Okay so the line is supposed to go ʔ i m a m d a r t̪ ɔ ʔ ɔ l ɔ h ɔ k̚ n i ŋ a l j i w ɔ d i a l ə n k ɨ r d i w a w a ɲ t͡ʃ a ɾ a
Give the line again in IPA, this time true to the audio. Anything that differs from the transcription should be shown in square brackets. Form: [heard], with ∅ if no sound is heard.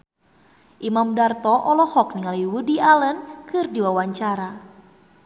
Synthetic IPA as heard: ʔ i m a m d a r t̪ ɔ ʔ ɔ l ɔ h ɔ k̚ n i ŋ a l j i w [u] d i a l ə n k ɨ r d i w a w a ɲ t͡ʃ a ɾ a